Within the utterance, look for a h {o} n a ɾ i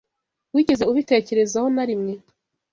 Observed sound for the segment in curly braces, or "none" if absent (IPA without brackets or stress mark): o